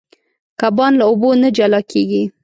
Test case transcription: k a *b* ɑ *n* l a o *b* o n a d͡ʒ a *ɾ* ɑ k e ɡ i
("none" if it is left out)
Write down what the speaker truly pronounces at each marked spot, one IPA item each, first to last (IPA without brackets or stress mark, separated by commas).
b, n, b, l